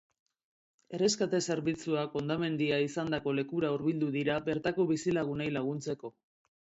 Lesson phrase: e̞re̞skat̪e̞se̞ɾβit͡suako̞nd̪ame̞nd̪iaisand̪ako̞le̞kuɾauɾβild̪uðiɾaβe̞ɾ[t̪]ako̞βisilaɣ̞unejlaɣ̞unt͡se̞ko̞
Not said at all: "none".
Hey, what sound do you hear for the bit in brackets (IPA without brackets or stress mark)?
t̪